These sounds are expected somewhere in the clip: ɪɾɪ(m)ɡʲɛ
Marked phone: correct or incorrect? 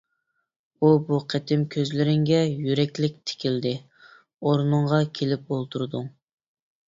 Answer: incorrect